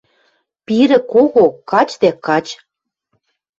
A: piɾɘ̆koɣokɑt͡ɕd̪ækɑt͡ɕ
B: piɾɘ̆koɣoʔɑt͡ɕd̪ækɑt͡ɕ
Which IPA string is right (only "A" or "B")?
A